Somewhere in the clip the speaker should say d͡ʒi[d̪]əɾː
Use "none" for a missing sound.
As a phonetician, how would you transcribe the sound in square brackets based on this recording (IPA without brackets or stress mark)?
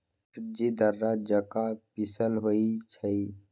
d̪